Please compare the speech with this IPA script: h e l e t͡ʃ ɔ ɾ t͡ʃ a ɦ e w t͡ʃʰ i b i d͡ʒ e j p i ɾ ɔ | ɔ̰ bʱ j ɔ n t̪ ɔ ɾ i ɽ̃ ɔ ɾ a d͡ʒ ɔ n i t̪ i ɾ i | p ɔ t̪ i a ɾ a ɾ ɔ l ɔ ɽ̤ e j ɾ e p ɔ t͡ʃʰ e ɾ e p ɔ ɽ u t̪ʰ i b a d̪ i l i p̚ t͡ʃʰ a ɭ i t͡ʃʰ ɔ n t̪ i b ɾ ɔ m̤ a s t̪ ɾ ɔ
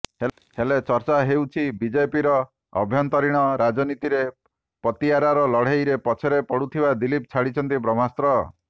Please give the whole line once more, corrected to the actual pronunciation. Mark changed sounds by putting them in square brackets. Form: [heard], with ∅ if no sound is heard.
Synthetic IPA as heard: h e l e t͡ʃ ɔ ɾ t͡ʃ a ɦ e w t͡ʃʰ i b i d͡ʒ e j p i ɾ ɔ | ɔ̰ bʱ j ɔ n t̪ ɔ ɾ i ɽ̃ ɔ ɾ a d͡ʒ ɔ n i t̪ i ɾ [e] | p ɔ t̪ i a ɾ a ɾ ɔ l ɔ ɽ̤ e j ɾ e p ɔ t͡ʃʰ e ɾ e p ɔ ɽ u t̪ʰ i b a d̪ i l i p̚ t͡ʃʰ a [ɽ] i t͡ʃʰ ɔ n t̪ i b ɾ ɔ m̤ a s t̪ ɾ ɔ

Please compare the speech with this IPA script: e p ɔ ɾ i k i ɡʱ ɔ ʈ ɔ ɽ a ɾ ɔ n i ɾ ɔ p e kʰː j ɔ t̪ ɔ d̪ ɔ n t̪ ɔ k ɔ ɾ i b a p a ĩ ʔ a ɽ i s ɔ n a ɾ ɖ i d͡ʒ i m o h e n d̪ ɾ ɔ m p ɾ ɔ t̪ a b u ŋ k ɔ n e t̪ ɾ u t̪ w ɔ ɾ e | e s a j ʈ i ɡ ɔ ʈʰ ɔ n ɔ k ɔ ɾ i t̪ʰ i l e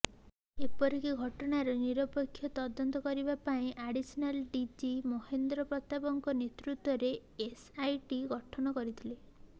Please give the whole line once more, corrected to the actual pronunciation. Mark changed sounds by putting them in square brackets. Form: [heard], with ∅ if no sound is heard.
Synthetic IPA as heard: e p ɔ ɾ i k i ɡʱ ɔ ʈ ɔ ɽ a ɾ ɔ n i ɾ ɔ p e kʰː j ɔ t̪ ɔ d̪ ɔ n t̪ ɔ k ɔ ɾ i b a p a ĩ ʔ a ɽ i s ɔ n a [l] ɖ i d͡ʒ i m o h e n d̪ ɾ ɔ [∅] p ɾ ɔ t̪ a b [ɔ] ŋ k ɔ n e t̪ ɾ u t̪ w ɔ ɾ e | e s a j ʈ i ɡ ɔ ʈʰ ɔ n ɔ k ɔ ɾ i t̪ʰ i l e

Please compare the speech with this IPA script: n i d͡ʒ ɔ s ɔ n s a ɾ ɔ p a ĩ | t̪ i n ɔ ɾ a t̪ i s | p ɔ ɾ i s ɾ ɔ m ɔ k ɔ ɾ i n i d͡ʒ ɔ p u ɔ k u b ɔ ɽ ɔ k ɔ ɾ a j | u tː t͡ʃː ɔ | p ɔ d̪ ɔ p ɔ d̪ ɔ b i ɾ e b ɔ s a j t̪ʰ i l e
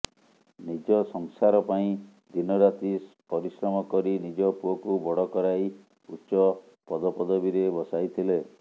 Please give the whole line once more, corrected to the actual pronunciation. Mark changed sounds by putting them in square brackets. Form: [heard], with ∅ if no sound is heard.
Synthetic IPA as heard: n i d͡ʒ ɔ s ɔ [ŋ] s a ɾ ɔ p a ĩ | [d̪] i n ɔ ɾ a t̪ i s | p ɔ ɾ i s ɾ ɔ m ɔ k ɔ ɾ i n i d͡ʒ ɔ p u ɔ k u b ɔ ɽ ɔ k ɔ ɾ a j | u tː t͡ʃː ɔ | p ɔ d̪ ɔ p ɔ d̪ ɔ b i ɾ e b ɔ s a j t̪ʰ i l e

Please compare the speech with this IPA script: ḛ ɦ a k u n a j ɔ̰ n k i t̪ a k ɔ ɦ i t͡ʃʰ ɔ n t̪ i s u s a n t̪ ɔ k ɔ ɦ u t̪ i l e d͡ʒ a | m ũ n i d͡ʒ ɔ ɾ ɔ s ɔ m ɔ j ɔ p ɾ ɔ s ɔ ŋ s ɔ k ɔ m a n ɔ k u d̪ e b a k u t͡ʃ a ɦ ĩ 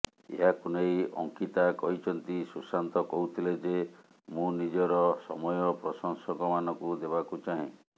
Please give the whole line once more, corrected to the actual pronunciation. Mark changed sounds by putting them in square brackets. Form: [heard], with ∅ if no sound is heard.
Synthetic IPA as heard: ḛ ɦ a k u n [e] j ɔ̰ [ŋ] k i t̪ a k ɔ ɦ i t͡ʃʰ ɔ n t̪ i s u s a n t̪ ɔ k ɔ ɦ u [t̪ʰ] i l e d͡ʒ [e] | m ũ n i d͡ʒ ɔ ɾ ɔ s ɔ m ɔ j ɔ p ɾ ɔ s ɔ ŋ s ɔ k ɔ m a n ɔ k u d̪ e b a k u t͡ʃ a ɦ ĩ

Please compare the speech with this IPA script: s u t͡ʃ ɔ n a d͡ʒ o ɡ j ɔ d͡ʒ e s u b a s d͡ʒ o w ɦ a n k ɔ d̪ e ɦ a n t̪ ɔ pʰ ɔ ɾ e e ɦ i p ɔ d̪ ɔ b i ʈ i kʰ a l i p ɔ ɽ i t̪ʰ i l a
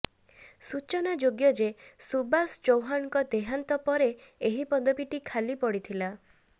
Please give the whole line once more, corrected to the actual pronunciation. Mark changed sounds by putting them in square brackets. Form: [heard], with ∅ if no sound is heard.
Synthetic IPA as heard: s u t͡ʃ ɔ n a d͡ʒ o ɡ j ɔ d͡ʒ e s u b a s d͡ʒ o w ɦ a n k ɔ d̪ e ɦ a n t̪ ɔ [p] ɔ ɾ e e ɦ i p ɔ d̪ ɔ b i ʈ i kʰ a l i p ɔ ɽ i t̪ʰ i l a

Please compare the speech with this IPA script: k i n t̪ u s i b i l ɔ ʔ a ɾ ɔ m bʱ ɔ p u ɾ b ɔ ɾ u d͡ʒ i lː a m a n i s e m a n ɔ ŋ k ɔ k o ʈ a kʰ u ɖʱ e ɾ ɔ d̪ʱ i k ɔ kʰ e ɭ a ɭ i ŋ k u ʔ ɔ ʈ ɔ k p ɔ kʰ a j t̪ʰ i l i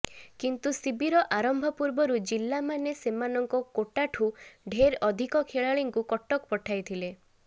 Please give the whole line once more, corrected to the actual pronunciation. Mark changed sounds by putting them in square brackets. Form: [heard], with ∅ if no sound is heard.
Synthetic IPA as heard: k i n t̪ u s i b i [ɾ] ɔ ʔ a ɾ ɔ m bʱ ɔ p u ɾ b ɔ ɾ u d͡ʒ i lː a m a n [e] s e m a n ɔ ŋ k ɔ k o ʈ a [ʈʰ] u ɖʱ e ɾ ɔ d̪ʱ i k ɔ kʰ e ɭ a ɭ i ŋ k u [k] ɔ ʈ ɔ k p ɔ [ʈʰ] a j t̪ʰ i l [e]

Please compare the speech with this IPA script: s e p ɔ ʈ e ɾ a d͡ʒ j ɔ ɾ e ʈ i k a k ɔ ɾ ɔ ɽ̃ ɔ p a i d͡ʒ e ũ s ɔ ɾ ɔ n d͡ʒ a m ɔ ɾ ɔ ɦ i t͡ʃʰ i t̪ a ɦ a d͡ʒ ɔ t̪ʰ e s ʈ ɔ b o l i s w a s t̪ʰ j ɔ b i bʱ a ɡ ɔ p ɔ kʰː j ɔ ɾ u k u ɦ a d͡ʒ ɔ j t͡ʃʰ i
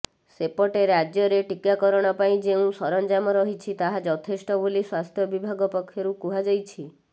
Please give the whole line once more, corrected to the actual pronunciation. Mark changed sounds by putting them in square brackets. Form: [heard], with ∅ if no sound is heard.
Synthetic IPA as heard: s e p ɔ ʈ e ɾ a d͡ʒ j ɔ ɾ e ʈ i k a k ɔ ɾ ɔ ɽ̃ ɔ p a [ĩ] d͡ʒ e ũ s ɔ ɾ ɔ n d͡ʒ a m ɔ ɾ ɔ ɦ i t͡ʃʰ i t̪ a ɦ a d͡ʒ ɔ t̪ʰ e s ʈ ɔ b o l i s w a s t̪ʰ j ɔ b i bʱ a ɡ ɔ p ɔ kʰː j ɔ ɾ u k u ɦ a d͡ʒ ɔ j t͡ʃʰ i

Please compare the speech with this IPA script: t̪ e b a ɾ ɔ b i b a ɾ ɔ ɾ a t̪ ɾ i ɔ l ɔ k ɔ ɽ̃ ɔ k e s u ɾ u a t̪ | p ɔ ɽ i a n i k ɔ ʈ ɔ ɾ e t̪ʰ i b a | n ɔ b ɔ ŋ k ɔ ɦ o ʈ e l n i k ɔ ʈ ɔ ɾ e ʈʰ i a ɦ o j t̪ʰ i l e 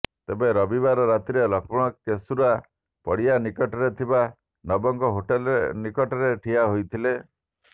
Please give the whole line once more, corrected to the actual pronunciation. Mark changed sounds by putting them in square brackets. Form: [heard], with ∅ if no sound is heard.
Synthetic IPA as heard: t̪ e b [e] ɾ ɔ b i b a ɾ ɔ ɾ a t̪ ɾ i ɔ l ɔ k ɔ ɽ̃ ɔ k e s u ɾ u a [∅] | p ɔ ɽ i a n i k ɔ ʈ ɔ ɾ e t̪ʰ i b a | n ɔ b ɔ ŋ k ɔ ɦ o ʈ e l n i k ɔ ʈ ɔ ɾ e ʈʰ i a ɦ o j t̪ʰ i l e

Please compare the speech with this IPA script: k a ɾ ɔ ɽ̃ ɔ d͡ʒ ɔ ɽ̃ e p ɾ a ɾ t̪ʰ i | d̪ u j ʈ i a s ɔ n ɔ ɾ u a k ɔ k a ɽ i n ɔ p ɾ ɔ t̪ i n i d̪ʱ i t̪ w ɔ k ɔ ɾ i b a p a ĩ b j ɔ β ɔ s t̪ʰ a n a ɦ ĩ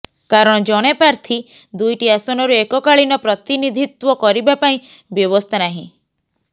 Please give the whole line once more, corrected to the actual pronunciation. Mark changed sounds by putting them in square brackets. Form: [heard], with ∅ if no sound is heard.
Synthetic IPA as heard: k a ɾ ɔ ɽ̃ ɔ d͡ʒ ɔ ɽ̃ e p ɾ a ɾ t̪ʰ i | d̪ u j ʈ i a s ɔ n ɔ ɾ u [e] k ɔ k a [ɭ] i n ɔ p ɾ ɔ t̪ i n i d̪ʱ i t̪ w ɔ k ɔ ɾ i b a p a ĩ b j ɔ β ɔ s t̪ʰ a n a ɦ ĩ

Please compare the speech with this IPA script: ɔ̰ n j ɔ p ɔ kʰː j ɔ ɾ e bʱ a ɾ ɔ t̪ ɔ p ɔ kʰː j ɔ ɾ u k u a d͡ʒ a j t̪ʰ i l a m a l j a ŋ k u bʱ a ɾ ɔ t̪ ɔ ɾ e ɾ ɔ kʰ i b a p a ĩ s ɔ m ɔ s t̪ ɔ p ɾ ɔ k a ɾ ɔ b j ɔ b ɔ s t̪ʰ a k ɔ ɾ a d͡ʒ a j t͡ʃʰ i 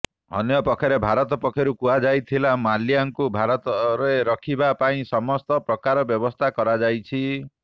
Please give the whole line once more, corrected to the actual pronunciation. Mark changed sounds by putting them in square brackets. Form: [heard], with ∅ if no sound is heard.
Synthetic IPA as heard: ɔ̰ n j ɔ p ɔ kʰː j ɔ ɾ e bʱ a ɾ ɔ t̪ ɔ p ɔ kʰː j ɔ ɾ u k u a d͡ʒ a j t̪ʰ i l a m a l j a ŋ k u bʱ a ɾ ɔ t̪ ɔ ɾ e ɾ ɔ kʰ i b a p a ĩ s ɔ m ɔ s t̪ ɔ p ɾ ɔ k a ɾ ɔ b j ɔ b ɔ s t̪ʰ a k ɔ ɾ a d͡ʒ a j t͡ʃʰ i

